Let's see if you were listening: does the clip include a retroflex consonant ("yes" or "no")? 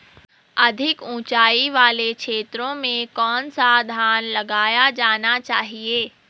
no